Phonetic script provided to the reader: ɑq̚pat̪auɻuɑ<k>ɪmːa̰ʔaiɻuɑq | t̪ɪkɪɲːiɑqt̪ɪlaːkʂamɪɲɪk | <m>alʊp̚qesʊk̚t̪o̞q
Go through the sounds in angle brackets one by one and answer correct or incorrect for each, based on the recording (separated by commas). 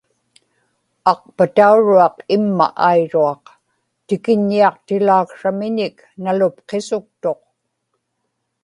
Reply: incorrect, incorrect